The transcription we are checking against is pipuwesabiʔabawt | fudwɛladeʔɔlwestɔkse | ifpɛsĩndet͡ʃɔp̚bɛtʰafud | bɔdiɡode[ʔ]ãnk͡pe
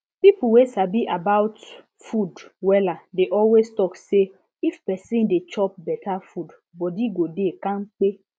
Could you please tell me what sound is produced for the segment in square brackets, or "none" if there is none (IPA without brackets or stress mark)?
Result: k